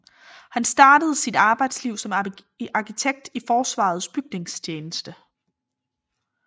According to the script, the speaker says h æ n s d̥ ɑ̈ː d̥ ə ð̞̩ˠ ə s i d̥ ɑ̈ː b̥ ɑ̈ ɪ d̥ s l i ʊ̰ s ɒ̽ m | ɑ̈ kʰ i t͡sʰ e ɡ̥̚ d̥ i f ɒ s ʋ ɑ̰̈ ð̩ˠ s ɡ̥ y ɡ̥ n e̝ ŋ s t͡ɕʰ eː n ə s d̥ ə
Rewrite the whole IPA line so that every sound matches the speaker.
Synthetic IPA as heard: h æ n s d̥ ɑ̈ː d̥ ə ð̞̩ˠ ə s i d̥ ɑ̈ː b̥ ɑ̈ ɪ d̥ s l i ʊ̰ s ɒ̽ m | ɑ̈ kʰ i t͡sʰ e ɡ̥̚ d̥ i f ɒː s ʋ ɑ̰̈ ð̩ˠ s b̥ y ɡ̥ n e̝ ŋ s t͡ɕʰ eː n ə s d̥ ə